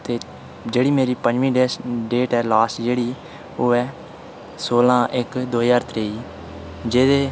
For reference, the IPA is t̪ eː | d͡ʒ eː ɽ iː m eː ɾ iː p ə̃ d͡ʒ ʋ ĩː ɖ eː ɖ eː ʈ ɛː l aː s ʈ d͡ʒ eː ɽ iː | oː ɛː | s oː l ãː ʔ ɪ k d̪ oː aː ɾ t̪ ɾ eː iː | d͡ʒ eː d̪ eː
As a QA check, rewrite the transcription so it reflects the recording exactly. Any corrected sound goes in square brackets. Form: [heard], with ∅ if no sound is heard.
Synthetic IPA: t̪ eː | d͡ʒ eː ɽ iː m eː ɾ iː p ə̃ d͡ʒ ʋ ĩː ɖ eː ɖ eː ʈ ɛː l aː s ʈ d͡ʒ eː ɽ iː | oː ɛː | s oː l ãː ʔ ɪ k d̪ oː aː ɾ t̪ ɾ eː iː | d͡ʒ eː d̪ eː